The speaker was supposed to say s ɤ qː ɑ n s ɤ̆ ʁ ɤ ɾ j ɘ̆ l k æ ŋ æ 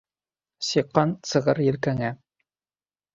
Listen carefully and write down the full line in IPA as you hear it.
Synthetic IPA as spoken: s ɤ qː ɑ n s ɤ̆ ʁ ɤ ɾ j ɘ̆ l k æ ŋ æ